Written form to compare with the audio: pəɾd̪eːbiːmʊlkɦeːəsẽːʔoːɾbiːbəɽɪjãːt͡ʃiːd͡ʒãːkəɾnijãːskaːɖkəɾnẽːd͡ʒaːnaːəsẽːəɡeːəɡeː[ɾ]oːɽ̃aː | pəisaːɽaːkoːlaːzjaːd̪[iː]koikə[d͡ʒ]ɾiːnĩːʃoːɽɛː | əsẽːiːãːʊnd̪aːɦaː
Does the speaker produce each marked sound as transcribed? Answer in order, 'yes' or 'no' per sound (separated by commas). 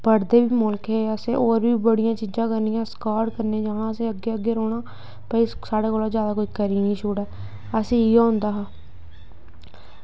yes, no, no